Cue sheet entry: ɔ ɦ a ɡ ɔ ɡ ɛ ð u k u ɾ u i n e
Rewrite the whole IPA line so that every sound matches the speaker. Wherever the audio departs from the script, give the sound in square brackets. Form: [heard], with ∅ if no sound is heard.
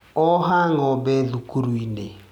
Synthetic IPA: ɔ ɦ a [ŋ] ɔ [b] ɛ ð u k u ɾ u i n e